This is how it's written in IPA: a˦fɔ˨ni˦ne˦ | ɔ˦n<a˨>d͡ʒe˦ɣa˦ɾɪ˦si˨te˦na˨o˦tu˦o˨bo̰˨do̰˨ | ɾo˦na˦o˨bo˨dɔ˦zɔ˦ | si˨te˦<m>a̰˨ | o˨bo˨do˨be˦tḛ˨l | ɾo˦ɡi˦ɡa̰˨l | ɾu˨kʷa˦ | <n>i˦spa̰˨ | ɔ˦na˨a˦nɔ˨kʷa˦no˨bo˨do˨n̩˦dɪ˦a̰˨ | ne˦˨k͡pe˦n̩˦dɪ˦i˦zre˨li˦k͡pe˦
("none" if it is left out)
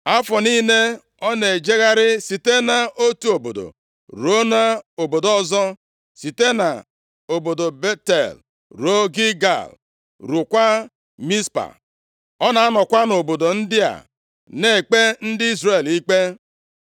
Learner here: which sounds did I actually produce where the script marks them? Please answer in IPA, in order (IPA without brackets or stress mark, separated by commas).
e˨, n, m